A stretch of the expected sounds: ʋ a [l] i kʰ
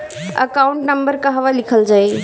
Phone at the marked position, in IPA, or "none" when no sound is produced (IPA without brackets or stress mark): l